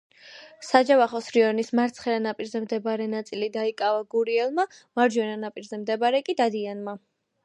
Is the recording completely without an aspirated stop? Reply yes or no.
yes